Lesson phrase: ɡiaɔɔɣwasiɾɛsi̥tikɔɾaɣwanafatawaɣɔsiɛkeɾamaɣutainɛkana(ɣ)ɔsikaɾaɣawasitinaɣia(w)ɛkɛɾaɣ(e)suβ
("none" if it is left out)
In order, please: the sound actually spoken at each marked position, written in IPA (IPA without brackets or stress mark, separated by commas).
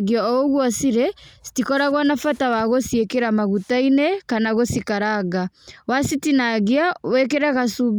ɣ, w, a